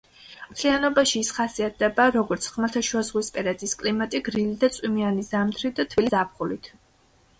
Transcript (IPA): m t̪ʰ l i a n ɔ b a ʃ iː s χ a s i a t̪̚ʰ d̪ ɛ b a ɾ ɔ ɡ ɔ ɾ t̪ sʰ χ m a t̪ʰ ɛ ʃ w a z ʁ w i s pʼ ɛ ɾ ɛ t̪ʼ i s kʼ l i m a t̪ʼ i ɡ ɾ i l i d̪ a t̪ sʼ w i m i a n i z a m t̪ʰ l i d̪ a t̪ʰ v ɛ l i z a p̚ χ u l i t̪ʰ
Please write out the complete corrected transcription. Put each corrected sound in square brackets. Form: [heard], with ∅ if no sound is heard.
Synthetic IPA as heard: m t̪ʰ l i a n ɔ b a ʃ iː s χ a s i a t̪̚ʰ d̪ ɛ b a ɾ ɔ ɡ ɔ ɾ t̪ sʰ χ m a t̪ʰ [a] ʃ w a z ʁ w i s pʼ ɛ ɾ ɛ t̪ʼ i s kʼ l i m a t̪ʼ i ɡ ɾ i l i d̪ a t̪ sʼ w i m i a n i z a m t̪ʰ [ɾ] i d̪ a t̪ʰ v [i] l i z a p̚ χ u l i t̪ʰ